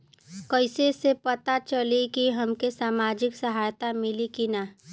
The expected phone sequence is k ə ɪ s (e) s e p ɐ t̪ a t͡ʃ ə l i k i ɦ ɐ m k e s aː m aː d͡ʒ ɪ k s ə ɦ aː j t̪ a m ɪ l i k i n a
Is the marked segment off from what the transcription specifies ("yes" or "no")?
no